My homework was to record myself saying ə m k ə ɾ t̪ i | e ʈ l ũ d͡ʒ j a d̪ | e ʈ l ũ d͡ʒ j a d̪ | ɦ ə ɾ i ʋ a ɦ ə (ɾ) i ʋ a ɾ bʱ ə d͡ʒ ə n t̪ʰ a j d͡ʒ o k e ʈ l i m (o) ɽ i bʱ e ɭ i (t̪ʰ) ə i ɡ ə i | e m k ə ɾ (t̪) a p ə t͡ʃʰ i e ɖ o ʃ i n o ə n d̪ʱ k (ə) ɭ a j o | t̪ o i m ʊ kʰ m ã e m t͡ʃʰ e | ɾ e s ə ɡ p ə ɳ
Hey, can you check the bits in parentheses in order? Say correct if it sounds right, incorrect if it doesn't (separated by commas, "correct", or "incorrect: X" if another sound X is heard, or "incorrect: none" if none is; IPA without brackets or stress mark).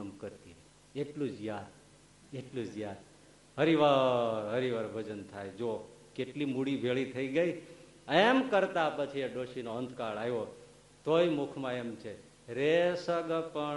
correct, incorrect: u, correct, correct, incorrect: a